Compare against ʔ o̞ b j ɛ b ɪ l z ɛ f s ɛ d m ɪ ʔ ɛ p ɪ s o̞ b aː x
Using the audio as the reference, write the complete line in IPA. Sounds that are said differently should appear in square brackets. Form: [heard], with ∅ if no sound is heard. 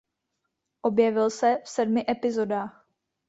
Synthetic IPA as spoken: ʔ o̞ b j ɛ [v] ɪ l [s] ɛ f s ɛ d m ɪ ʔ ɛ p ɪ [z] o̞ [d] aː x